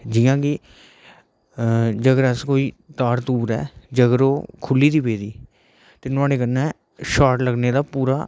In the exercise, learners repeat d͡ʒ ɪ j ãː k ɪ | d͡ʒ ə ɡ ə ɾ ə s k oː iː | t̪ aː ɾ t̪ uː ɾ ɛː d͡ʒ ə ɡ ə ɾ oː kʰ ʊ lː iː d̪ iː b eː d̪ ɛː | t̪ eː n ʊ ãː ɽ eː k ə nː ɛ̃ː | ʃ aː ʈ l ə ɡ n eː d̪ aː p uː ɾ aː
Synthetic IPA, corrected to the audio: d͡ʒ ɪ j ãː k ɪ | d͡ʒ ə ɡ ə ɾ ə s k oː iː | t̪ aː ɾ t̪ uː ɾ ɛː d͡ʒ ə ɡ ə ɾ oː kʰ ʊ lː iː d̪ iː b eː d̪ iː | t̪ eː n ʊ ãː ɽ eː k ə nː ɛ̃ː | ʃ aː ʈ l ə ɡ n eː d̪ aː p uː ɾ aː